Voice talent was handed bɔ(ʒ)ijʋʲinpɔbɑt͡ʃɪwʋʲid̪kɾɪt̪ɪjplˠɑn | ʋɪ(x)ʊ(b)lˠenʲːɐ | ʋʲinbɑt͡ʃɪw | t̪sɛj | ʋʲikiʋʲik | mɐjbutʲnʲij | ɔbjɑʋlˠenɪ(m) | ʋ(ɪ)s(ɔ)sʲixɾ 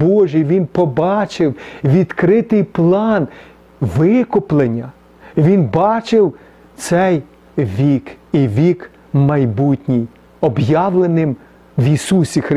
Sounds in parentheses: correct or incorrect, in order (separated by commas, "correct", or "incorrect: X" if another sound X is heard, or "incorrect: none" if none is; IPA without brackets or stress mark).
correct, incorrect: k, incorrect: p, correct, incorrect: i, incorrect: u